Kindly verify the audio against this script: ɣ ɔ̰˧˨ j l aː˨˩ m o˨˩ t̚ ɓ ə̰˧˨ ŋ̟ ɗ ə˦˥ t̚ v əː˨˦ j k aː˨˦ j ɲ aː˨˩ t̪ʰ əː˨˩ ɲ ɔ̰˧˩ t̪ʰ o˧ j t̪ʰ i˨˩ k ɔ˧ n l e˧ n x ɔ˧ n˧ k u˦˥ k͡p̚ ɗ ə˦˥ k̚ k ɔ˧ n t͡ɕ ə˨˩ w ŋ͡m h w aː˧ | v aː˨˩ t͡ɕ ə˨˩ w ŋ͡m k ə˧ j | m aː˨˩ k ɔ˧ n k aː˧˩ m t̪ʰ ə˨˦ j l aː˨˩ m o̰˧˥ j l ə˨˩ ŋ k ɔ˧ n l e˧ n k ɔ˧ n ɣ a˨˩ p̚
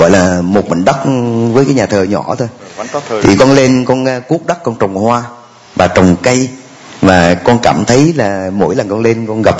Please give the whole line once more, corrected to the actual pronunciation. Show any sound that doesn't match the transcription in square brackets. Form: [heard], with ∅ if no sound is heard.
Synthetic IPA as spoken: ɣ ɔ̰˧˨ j l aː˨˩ m o˨˩ t̚ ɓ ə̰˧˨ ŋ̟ ɗ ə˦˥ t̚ v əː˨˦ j k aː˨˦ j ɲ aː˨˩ t̪ʰ əː˨˩ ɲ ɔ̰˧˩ t̪ʰ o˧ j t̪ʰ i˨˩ k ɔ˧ n l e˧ n [k] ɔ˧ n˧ k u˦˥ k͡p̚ ɗ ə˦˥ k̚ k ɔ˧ n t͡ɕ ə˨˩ w ŋ͡m h w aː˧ | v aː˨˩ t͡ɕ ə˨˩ w ŋ͡m k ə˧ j | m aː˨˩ k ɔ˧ n k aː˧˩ m t̪ʰ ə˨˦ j l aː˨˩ m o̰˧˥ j l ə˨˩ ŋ k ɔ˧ n l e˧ n k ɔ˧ n ɣ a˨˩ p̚